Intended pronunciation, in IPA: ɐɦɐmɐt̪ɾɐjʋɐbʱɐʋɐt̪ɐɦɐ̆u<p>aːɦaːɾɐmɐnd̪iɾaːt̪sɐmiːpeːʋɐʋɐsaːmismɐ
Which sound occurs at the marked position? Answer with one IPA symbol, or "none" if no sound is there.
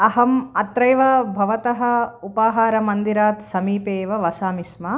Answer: p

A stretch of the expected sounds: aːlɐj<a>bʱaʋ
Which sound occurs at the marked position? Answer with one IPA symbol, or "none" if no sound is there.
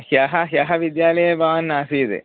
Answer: ɐ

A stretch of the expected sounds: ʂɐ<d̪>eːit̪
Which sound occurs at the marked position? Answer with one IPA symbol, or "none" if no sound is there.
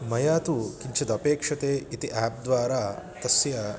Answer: t̪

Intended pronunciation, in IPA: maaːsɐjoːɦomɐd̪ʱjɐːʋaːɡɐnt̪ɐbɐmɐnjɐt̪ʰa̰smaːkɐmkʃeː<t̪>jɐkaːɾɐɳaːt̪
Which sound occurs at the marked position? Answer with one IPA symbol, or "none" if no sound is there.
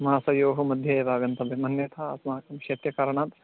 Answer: t̪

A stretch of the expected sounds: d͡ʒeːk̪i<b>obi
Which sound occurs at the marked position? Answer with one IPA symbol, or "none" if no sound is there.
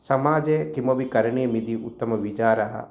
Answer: m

